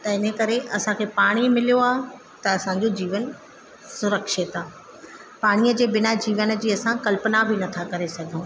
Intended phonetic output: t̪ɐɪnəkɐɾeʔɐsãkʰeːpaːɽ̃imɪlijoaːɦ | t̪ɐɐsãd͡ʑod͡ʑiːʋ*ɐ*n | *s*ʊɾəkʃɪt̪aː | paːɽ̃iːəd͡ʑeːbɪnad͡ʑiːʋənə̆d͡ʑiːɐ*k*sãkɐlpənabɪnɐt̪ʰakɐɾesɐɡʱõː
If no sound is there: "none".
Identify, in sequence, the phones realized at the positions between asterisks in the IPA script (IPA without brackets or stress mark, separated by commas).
ə, s, none